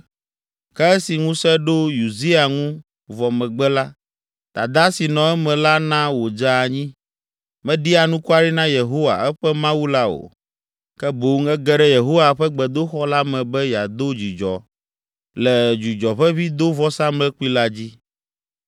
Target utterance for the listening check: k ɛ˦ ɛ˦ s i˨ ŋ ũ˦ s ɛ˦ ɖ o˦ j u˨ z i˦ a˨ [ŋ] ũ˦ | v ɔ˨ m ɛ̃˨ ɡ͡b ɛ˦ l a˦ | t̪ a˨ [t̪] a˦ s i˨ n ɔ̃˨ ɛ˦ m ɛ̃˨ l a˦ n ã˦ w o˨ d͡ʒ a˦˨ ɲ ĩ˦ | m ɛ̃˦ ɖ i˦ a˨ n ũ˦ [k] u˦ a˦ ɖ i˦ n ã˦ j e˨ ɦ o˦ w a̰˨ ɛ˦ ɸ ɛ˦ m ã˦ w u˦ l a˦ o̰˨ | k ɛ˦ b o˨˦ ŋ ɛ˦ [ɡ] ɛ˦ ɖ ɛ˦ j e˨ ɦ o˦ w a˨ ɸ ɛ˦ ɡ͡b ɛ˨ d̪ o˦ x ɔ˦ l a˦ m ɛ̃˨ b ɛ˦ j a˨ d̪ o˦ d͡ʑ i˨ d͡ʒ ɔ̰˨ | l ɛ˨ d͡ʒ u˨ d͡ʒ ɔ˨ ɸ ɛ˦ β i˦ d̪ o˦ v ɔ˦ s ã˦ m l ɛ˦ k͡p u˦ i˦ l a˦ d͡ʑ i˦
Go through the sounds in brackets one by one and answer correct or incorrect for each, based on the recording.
correct, incorrect, correct, correct

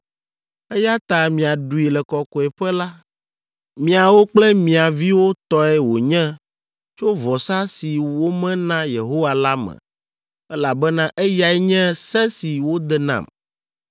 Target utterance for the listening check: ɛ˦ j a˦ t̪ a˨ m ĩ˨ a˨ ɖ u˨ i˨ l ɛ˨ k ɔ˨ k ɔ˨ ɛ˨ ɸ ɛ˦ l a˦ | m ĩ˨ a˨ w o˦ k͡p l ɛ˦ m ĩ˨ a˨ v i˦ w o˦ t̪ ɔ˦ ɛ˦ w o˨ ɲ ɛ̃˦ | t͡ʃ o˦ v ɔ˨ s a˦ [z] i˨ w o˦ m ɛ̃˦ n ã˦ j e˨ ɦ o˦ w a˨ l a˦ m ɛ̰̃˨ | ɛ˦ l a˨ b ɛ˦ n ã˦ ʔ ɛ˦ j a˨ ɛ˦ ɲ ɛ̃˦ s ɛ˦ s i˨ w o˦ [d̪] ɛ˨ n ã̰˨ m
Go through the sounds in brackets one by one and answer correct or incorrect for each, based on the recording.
incorrect, correct

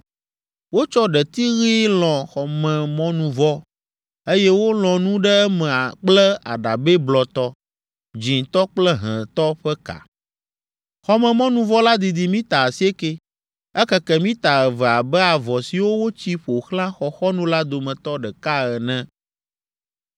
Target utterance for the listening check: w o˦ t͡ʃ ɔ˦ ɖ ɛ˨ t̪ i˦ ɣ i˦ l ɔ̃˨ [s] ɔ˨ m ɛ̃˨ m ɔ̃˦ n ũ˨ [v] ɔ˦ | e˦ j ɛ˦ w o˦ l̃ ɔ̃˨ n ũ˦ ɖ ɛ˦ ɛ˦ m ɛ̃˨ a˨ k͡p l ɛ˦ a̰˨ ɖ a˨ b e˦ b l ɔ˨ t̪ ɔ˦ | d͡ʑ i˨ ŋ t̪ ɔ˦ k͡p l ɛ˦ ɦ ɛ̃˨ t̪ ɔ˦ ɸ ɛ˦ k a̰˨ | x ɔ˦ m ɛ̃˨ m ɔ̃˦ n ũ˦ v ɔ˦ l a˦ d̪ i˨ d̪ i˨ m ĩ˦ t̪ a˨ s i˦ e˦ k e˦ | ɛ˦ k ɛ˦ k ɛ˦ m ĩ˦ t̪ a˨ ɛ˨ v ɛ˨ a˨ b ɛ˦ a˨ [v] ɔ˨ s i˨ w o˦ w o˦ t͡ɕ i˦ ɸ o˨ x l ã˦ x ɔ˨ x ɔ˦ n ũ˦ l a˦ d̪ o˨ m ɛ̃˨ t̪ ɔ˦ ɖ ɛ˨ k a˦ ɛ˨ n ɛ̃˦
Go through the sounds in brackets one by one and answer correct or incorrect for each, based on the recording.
incorrect, correct, correct

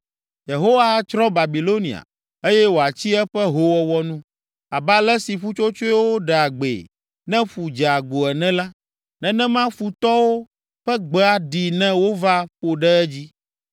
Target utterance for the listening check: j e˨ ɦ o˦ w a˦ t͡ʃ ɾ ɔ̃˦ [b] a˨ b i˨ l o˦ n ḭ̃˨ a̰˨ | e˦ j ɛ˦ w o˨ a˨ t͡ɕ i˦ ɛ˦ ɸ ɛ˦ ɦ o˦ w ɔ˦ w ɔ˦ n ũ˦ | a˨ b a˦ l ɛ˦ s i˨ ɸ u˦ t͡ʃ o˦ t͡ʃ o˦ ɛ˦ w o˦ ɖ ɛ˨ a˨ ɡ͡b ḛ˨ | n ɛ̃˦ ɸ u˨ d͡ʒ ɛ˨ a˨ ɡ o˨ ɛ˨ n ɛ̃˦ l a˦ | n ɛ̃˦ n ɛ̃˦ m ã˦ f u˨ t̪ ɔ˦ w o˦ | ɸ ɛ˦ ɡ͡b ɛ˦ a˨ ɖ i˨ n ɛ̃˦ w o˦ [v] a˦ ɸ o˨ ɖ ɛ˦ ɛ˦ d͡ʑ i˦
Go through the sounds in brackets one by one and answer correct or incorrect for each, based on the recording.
correct, correct

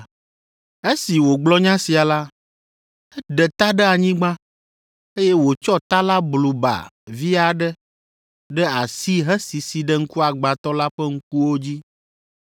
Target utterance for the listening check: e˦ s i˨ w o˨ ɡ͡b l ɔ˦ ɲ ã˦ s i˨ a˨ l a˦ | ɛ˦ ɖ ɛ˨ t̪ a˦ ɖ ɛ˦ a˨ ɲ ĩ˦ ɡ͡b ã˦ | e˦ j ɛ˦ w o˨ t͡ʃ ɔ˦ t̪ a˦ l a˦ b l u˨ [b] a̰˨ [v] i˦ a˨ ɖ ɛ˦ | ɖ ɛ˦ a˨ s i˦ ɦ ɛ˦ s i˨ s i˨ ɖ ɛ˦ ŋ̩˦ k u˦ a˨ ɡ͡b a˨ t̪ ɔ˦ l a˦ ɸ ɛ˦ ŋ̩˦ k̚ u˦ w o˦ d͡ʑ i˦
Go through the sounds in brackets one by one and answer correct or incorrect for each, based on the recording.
correct, correct

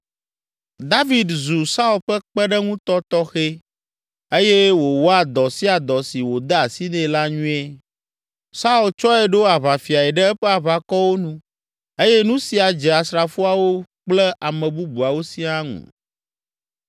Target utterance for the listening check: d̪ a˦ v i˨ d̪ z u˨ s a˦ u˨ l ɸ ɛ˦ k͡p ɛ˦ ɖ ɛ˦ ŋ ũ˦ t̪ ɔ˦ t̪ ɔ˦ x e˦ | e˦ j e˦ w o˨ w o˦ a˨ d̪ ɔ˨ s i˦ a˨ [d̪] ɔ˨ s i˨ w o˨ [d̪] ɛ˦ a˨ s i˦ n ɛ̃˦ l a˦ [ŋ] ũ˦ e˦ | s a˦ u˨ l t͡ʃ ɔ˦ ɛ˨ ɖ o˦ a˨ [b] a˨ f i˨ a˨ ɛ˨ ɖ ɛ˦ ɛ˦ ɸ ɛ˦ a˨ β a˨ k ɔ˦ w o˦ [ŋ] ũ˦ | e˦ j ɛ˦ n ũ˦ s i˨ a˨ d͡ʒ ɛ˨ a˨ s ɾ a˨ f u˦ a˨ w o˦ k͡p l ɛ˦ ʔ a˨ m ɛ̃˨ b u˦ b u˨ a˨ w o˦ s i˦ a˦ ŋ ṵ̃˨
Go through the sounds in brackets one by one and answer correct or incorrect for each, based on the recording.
correct, correct, incorrect, incorrect, incorrect

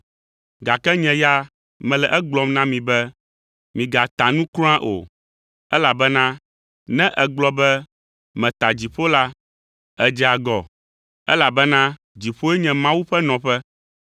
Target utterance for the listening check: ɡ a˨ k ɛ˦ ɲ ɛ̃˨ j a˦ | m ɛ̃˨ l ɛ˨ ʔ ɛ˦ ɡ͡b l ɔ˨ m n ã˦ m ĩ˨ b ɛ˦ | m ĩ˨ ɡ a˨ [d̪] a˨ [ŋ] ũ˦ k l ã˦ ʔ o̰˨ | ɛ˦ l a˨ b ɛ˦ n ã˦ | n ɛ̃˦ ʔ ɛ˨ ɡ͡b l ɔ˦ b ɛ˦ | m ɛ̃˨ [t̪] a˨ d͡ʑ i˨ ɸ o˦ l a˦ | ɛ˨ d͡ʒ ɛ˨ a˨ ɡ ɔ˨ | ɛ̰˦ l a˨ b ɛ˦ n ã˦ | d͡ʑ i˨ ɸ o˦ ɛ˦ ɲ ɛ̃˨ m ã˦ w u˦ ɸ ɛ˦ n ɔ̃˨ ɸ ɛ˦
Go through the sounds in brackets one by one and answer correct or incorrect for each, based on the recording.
incorrect, incorrect, correct

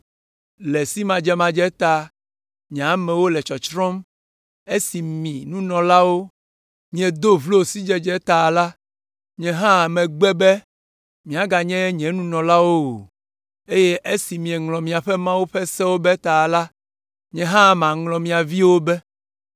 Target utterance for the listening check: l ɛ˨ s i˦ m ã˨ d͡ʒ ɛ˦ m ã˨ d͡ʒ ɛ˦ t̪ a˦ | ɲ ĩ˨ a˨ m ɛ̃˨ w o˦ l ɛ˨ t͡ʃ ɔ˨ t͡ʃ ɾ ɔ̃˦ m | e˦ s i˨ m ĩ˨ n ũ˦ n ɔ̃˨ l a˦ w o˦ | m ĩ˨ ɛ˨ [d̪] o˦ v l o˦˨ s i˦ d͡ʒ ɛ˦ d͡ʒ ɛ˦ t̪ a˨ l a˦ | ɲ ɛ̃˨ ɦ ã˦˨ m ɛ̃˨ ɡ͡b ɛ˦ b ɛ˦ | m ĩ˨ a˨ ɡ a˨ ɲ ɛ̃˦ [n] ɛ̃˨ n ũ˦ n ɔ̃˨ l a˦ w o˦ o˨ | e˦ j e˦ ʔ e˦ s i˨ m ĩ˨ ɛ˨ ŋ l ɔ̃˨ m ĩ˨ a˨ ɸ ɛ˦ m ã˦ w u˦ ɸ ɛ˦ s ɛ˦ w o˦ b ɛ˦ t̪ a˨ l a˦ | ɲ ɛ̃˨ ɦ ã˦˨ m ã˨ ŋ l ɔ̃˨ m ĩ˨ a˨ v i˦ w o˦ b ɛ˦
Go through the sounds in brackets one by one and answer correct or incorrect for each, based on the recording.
correct, incorrect

